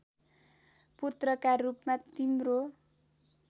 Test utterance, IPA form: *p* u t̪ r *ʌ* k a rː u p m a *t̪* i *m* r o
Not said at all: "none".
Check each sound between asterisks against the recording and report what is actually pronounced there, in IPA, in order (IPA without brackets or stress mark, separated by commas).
p, ʌ, t̪, m